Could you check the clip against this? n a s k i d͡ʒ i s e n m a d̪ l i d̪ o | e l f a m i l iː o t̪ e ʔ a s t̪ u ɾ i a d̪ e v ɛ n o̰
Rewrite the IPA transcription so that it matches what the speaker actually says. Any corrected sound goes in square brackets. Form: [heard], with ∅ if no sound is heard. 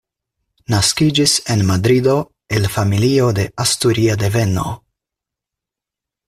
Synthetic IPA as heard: n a s k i d͡ʒ i s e n m a d̪ [ɾ] i d̪ o | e l f a m i l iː o [d̪] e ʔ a s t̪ u ɾ i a d̪ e v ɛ n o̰